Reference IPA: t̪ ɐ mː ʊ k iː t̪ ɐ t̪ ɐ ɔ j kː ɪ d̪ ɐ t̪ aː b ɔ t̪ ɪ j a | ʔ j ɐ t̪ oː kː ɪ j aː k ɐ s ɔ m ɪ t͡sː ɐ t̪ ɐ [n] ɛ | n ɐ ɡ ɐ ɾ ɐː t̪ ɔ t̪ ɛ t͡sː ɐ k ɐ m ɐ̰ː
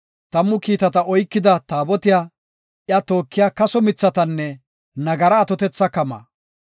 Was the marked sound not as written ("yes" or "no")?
yes